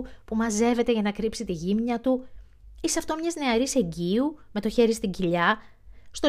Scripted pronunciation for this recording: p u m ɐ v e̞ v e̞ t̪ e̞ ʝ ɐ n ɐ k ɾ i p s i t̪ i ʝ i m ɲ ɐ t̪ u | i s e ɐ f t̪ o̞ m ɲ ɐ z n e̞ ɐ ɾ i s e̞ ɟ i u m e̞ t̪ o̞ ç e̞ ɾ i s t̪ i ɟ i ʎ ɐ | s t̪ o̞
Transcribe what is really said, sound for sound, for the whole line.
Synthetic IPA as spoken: p u m ɐ z e̞ v e̞ t̪ e̞ ʝ ɐ n ɐ k ɾ i p s i t̪ i ʝ i m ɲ ɐ t̪ u | i s e ɐ f t̪ o̞ m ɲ ɐ z n e̞ ɐ ɾ i s e̞ ɟ i u m e̞ t̪ o̞ ç e̞ ɾ i s t̪ i ɟ i ʎ ɐ | s t̪ o̞